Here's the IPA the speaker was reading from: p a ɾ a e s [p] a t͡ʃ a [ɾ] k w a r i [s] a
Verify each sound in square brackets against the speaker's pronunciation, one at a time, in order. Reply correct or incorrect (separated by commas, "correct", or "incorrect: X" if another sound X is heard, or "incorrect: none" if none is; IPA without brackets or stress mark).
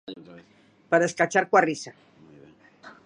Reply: incorrect: k, correct, correct